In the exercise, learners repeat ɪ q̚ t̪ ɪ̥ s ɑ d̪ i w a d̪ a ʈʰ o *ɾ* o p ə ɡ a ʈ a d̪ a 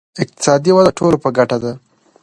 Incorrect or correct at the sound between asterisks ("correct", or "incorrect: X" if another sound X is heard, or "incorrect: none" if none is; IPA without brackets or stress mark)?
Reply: incorrect: l